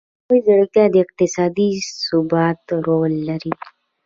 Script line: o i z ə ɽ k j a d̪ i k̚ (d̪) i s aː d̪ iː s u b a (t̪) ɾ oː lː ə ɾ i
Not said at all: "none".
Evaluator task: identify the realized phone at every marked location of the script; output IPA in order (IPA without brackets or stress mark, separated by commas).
t̪, t̪